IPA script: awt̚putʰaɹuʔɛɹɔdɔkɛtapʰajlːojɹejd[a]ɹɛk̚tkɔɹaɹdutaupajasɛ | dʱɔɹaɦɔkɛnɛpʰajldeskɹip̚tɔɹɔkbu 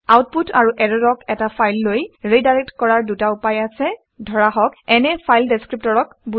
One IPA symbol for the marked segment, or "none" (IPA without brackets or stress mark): a